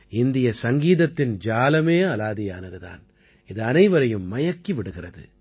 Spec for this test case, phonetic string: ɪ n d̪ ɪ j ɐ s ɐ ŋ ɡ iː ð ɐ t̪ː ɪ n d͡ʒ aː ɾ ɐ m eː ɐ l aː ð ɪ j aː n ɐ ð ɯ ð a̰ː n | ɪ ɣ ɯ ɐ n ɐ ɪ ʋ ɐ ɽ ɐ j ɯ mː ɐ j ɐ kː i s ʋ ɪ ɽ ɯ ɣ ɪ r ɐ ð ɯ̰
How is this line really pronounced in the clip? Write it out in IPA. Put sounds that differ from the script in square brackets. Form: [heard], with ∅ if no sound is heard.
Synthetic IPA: ɪ n d̪ ɪ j ɐ s ɐ ŋ ɡ iː ð ɐ t̪ː ɪ n d͡ʒ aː [l] ɐ m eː ɐ l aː ð ɪ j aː n ɐ ð ɯ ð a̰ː n | ɪ [ð] ɯ ɐ n ɐ ɪ ʋ ɐ [ɾ] ɐ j ɯ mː ɐ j ɐ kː i [∅] ʋ ɪ ɽ ɯ ɣ ɪ r ɐ ð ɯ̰